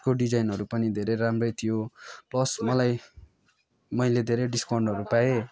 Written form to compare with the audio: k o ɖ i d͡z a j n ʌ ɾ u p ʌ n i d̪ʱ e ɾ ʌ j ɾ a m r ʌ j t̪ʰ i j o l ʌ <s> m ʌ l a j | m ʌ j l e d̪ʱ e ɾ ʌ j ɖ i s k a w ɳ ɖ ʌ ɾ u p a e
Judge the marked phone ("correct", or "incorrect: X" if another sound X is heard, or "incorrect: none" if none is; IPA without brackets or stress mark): correct